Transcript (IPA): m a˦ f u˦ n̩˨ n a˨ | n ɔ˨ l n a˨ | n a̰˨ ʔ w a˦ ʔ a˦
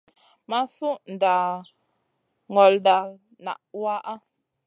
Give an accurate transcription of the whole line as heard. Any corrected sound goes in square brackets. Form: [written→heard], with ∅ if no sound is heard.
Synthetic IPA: m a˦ [f→s] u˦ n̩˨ [n→d] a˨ | [n→ŋ] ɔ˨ l [n→d] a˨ | n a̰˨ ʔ w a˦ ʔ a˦